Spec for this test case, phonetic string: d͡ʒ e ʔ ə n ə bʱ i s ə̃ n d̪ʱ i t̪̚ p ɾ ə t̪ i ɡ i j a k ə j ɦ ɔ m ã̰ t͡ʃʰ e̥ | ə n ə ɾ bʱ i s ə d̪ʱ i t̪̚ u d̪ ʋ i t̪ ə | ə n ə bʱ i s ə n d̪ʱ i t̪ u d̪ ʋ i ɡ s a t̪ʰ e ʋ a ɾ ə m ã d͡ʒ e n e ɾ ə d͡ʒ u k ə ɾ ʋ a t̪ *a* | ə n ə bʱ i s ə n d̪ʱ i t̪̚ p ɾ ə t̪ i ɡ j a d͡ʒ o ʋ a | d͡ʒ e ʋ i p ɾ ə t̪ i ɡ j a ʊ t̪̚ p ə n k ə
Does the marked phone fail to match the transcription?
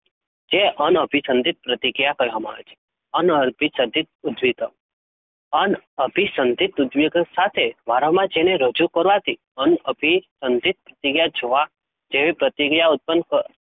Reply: yes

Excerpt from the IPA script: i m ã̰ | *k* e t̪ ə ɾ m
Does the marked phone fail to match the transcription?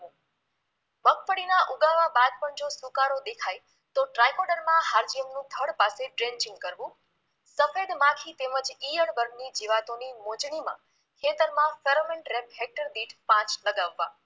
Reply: yes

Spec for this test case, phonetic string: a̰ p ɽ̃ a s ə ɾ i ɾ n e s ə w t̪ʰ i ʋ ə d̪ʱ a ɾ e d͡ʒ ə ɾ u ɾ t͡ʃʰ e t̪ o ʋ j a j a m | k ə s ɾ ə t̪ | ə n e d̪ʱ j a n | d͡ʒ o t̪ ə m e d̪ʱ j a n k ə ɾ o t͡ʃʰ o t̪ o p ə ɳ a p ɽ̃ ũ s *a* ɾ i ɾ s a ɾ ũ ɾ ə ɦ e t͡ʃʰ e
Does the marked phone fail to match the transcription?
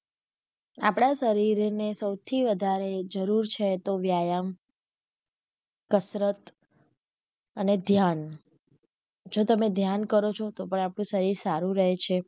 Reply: yes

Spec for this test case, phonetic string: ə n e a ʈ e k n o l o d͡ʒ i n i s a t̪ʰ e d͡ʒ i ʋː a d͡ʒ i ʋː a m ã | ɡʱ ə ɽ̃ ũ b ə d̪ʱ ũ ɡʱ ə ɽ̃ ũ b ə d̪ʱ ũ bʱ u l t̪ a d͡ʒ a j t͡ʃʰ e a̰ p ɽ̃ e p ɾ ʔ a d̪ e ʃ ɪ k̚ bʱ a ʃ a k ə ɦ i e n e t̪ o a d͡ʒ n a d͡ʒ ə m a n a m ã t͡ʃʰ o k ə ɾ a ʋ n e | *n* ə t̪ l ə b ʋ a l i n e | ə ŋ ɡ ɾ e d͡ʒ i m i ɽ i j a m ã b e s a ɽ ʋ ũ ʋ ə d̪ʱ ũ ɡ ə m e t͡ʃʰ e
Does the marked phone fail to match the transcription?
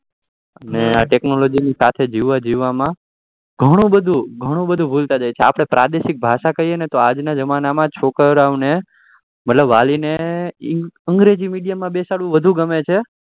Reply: yes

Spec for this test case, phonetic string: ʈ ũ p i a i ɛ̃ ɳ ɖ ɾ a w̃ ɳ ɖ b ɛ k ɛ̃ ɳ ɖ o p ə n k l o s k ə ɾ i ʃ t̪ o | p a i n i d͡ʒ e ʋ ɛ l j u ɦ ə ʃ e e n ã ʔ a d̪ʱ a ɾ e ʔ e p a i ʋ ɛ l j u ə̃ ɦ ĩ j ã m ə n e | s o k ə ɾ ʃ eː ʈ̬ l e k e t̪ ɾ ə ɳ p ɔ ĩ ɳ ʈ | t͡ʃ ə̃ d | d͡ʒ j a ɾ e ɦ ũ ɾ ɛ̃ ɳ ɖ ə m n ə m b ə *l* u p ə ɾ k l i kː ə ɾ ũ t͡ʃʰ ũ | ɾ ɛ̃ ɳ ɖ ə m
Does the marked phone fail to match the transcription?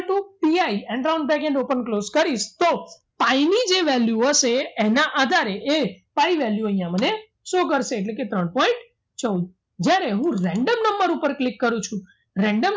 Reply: yes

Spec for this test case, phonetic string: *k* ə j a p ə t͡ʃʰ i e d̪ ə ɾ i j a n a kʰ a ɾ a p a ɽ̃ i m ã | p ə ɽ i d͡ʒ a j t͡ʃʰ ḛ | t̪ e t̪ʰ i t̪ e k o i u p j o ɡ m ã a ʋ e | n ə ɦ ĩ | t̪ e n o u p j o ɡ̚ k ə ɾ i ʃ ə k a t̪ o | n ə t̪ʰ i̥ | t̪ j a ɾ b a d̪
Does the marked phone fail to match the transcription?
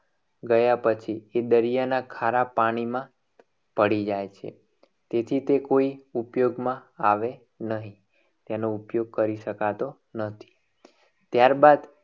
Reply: yes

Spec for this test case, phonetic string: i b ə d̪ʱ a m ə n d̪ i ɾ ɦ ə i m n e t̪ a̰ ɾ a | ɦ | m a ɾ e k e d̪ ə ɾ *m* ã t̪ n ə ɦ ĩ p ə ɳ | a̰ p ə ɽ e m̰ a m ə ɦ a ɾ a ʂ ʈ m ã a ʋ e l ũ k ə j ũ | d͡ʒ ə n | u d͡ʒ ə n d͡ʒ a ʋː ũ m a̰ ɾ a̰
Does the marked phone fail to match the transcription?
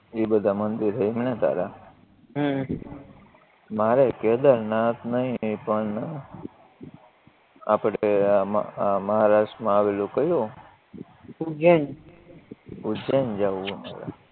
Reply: yes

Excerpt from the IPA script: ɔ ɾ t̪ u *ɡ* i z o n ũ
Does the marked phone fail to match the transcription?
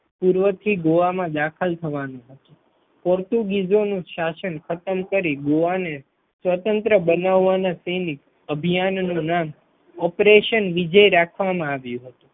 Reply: no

